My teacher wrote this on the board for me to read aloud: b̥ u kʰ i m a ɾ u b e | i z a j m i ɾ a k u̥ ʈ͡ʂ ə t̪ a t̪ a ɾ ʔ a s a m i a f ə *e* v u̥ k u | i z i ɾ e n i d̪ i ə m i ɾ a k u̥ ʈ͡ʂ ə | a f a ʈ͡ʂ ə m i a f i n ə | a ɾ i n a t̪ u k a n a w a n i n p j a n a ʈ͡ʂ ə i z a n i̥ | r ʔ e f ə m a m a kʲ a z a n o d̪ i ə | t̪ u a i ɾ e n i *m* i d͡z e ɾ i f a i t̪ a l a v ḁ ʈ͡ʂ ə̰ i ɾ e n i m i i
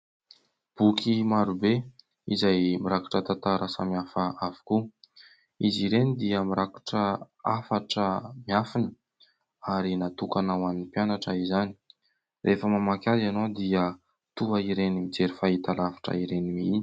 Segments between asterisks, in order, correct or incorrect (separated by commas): incorrect, correct